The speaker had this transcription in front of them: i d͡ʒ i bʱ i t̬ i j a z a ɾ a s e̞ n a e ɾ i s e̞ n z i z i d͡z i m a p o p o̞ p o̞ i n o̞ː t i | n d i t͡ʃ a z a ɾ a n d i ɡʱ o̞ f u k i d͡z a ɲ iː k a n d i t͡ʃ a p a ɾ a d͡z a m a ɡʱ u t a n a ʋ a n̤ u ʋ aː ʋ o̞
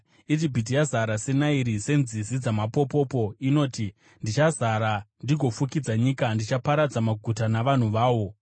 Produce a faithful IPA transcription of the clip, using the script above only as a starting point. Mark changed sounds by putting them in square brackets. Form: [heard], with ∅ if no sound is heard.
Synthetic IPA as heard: i d͡ʒ i bʱ i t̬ i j a z a ɾ a s e̞ n a [i] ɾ i s e̞ n z i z i d͡z [a] m a p o p o̞ p o̞ i n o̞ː t i | n d i t͡ʃ a z a ɾ a n d i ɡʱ o̞ f u k i d͡z a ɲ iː k a n d i t͡ʃ a p a ɾ a d͡z a m a ɡʱ u t a n a ʋ a n̤ u ʋ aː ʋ o̞